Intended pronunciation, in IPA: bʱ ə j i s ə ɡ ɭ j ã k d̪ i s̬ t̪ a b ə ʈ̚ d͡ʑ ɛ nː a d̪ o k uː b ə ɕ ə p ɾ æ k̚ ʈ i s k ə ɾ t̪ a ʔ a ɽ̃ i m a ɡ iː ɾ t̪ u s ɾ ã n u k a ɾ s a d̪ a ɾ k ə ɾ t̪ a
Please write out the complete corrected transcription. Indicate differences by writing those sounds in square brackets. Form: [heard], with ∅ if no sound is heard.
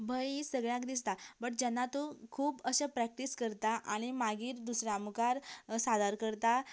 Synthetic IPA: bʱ ə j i s ə ɡ ɭ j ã k d̪ i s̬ t̪ a b ə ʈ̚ d͡ʑ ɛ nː a [t̪] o [kʰ] uː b ə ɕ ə p ɾ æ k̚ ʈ i s k ə ɾ t̪ a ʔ a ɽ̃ i m a ɡ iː ɾ [d̪] u s ɾ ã [m] u k a ɾ s a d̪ a ɾ k ə ɾ t̪ a